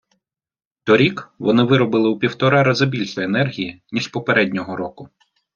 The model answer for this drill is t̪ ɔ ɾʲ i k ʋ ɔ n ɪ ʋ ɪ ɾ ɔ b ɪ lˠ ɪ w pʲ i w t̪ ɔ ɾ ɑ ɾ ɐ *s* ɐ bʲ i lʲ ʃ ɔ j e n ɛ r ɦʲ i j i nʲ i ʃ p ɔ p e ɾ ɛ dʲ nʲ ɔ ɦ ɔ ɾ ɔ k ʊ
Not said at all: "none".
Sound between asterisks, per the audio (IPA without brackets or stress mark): z